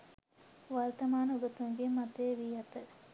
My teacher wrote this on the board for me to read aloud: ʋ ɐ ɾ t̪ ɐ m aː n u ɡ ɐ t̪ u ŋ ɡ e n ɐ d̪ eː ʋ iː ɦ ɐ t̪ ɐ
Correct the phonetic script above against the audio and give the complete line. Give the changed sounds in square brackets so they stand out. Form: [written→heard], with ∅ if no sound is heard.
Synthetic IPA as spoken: ʋ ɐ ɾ t̪ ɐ m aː n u ɡ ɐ t̪ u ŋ ɡ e [n→m] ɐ [d̪→t̪] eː ʋ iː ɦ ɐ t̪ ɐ